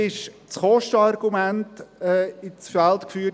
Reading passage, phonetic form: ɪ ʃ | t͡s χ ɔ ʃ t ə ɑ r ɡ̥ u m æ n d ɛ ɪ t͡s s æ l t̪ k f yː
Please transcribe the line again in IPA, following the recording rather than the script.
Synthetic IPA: ɪ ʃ | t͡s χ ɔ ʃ t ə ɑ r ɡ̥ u m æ n t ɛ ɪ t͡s f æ l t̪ k f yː